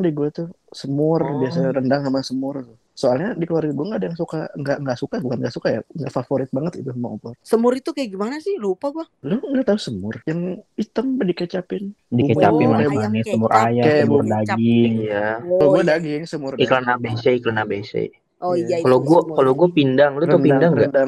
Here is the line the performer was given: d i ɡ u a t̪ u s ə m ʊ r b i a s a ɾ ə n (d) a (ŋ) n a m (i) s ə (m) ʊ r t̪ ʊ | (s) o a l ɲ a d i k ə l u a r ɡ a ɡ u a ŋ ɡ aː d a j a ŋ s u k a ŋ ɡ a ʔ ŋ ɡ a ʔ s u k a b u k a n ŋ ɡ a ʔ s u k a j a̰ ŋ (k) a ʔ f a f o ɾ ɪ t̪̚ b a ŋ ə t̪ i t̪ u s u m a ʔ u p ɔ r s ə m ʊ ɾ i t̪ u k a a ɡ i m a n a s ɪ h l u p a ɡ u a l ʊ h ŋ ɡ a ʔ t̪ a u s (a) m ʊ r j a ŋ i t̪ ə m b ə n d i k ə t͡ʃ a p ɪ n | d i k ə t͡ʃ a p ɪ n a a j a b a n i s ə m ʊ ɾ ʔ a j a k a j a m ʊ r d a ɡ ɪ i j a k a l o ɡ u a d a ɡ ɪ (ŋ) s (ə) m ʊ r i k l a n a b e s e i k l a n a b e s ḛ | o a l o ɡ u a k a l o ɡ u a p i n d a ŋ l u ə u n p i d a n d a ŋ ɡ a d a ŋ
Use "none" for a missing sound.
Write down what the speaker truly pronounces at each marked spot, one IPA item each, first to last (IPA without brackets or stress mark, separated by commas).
d, ŋ, a, m, s, ɡ, ə, ŋ, ə